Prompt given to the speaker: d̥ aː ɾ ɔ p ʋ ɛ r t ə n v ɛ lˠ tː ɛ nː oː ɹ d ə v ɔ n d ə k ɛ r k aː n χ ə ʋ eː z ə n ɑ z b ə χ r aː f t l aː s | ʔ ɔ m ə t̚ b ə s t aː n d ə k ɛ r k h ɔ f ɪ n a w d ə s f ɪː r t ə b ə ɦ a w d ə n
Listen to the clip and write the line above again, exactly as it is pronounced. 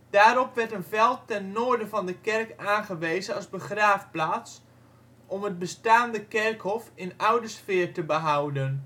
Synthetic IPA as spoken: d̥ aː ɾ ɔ p ʋ ɛ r t ə n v ɛ lˠ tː ɛ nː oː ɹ d ə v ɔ n d ə k ɛ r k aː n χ ə ʋ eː z ə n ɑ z b ə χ r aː f p l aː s | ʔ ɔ m ə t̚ b ə s t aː n d ə k ɛ r k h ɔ f ɪ n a w d ə s f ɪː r t ə b ə ɦ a w d ə n

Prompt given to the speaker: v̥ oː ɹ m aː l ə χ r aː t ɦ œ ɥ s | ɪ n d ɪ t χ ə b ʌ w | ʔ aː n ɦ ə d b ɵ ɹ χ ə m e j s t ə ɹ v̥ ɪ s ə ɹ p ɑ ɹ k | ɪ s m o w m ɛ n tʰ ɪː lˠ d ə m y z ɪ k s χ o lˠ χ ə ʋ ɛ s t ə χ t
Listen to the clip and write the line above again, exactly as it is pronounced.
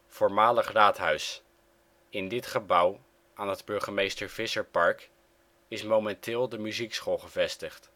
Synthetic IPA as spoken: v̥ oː ɹ m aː l ə χ r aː t ɦ œ ɥ s | ɪ n d ɪ t χ ə b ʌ w | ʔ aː n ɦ ə d b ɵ ɹ χ ə m e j s t ə ɹ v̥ ɪ s ə ɹ p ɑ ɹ k | ɪ s m o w m ɛ n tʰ ɪː lˠ d ə m y z i k s χ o lˠ χ ə v ɛ s t ə χ t

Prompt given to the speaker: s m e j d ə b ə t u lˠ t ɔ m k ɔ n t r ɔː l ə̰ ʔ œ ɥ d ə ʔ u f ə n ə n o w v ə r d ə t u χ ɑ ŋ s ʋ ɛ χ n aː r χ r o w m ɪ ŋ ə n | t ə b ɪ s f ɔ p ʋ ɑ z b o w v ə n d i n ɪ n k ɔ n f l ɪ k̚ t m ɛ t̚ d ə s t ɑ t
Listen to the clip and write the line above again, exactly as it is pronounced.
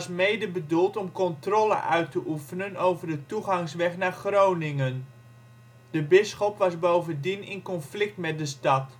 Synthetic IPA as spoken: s m e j d ə b ə d u lˠ t ɔ m k ɔ n t r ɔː l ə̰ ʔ œ ɥ t ə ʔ u f ə n ə n o w v ə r d ə t u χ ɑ ŋ s ʋ ɛ χ n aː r χ r o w n ɪ ŋ ə n | d ə b ɪ s χ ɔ p ʋ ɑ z b o w v ə n d i n ɪ n k ɔ n f l ɪ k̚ t m ɛ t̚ d ə s t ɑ t

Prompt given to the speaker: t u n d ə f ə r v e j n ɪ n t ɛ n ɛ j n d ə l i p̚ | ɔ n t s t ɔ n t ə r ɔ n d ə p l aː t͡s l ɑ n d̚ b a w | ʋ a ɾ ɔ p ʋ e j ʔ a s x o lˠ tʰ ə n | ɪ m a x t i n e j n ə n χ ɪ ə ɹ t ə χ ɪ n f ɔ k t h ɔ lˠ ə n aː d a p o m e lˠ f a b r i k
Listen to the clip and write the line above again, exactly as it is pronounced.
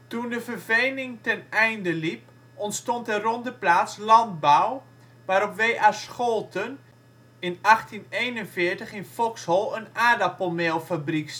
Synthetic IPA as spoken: t u n d ə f ə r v e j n ɪ ŋ t ɛ n ɛ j n d ə l i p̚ | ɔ n t s t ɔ n t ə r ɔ n d ə p l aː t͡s l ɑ n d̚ b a w | ʋ a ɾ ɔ p ʋ e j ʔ a s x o lˠ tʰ ə n | ɪ n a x t i n e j n ə n f ɪ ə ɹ t ə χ ɪ n f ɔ k s h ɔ lˠ ə n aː d a p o m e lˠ f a b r i k

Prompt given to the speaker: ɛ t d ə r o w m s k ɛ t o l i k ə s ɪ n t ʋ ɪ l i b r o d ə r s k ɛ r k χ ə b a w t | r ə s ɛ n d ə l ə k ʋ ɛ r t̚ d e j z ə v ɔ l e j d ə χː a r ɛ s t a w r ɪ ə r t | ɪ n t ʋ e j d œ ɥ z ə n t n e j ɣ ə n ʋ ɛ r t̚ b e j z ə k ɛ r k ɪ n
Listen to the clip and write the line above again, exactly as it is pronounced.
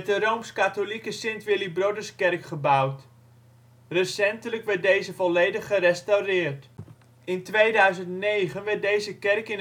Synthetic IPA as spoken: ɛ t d ə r o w m s k a t o l i k ə s ɪ n t ʋ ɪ l i b r o d ə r s k ɛ r k χ ə b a w t | r ə s ɛ n t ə l ə k ʋ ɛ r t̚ d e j z ə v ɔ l e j d ə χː ə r ɛ s t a w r ɪ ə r t | ɪ n t ʋ e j d œ ɥ z ə n t n e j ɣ ə n ʋ ɛ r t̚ d e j z ə k ɛ r k ɪ n

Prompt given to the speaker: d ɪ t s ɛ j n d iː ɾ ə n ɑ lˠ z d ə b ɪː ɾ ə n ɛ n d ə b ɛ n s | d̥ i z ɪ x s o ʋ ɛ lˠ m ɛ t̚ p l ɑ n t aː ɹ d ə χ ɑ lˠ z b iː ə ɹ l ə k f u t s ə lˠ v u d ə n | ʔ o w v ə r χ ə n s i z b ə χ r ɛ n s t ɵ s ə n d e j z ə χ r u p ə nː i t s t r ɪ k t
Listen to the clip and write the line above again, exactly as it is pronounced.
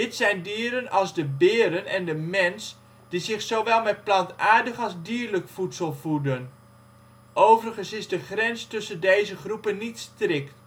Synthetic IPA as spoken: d ɪ t s ɛ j n d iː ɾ ə n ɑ lˠ z d ə b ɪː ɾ ə n ɛ n d ə m ɛ n s | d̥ i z ɪ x s o ʋ ɛ lˠ m ɛ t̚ p l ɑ n t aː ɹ d ə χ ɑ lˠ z d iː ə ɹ l ə k f u t s ə lˠ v u d ə n | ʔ o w v ə r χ ə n s ɪ z d ə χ r ɛ n s t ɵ s ə n d e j z ə χ r u p ə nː i t s t r ɪ k t

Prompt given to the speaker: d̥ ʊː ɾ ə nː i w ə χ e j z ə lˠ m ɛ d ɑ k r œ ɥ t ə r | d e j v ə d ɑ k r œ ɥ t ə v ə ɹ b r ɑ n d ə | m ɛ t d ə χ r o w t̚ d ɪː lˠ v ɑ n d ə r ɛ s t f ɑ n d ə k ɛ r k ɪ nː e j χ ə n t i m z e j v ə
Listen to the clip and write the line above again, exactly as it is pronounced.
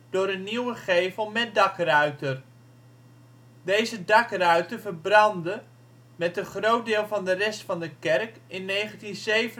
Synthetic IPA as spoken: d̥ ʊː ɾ ə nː i w ə χ e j v ə lˠ m ɛ d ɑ k r œ ɥ t ə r | d e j z ə d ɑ k r œ ɥ t ə v ə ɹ b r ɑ n d ə | m ɛ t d ə χ r o w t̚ d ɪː lˠ v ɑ n d ə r ɛ s t f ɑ n d ə k ɛ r k ɪ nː e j χ ə n t i n z e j v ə

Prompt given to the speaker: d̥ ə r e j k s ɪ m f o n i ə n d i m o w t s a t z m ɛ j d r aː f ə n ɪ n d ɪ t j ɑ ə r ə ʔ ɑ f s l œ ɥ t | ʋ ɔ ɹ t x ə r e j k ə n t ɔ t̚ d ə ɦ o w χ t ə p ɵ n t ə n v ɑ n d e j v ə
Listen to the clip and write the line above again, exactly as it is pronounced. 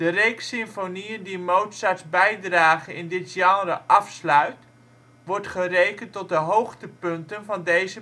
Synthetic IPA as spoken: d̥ ə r e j k s ɪ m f o n i ə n d i m o w t s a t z b ɛ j d r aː χ ə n ɪ n d ɪ t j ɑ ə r ə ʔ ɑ f s l œ ɥ t | ʋ ɔ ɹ t χ ə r e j k ə n t ɔ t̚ d ə ɦ o w χ t ə p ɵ n t ə n v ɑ n d e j z ə

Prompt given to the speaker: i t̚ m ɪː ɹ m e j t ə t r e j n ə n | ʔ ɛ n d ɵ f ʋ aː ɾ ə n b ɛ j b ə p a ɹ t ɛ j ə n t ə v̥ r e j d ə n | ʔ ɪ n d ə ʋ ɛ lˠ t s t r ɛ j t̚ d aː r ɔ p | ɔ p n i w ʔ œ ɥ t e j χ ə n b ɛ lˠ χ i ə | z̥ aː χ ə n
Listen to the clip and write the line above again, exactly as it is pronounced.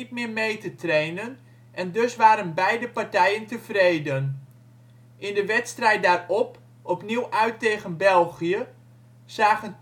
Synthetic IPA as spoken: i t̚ m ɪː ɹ m e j t ə t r e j n ə n | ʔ ɛ n d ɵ s ʋ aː ɾ ə n b ɛ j d ə p a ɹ t ɛ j ə n t ə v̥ r e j d ə n | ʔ ɪ n d ə ʋ ɛ t s t r ɛ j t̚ d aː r ɔ p | ɔ p n i w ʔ œ ɥ t e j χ ə n b ɛ lˠ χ i ə | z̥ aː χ ə n

